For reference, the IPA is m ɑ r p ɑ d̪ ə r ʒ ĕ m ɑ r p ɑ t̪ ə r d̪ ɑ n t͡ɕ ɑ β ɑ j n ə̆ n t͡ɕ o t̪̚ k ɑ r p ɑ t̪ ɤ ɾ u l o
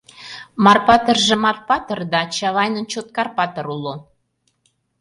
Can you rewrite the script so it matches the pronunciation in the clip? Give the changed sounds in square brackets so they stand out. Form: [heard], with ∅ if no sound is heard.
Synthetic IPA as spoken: m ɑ r p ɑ [t̪] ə r ʒ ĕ m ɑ r p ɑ t̪ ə r d̪ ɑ [∅] t͡ɕ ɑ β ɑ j n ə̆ n t͡ɕ o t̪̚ k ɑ r p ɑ t̪ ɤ ɾ u l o